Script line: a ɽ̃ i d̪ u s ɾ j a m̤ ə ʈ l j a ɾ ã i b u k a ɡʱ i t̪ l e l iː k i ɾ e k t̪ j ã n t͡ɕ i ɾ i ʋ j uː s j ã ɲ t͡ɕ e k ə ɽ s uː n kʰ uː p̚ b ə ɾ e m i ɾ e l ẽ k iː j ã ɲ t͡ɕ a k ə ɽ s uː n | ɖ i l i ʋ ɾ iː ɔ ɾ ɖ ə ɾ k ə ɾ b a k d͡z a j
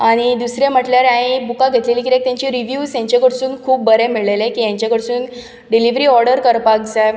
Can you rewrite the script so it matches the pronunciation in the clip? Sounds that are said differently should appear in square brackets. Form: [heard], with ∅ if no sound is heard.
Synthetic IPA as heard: a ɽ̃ i d̪ u s ɾ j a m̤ ə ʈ l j a ɾ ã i b u k a ɡʱ [e] t̪ l e l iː k i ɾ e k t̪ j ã [ɲ] t͡ɕ i ɾ i ʋ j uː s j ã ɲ t͡ɕ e k ə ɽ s uː n kʰ uː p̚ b ə ɾ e m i [ɭ] e l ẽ k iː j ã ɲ t͡ɕ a k ə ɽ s uː n | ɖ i l i ʋ ɾ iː ɔ ɾ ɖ ə ɾ k ə ɾ [p] a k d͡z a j